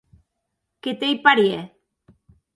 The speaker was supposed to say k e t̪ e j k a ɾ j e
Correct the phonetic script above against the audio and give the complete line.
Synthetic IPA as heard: k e t̪ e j p a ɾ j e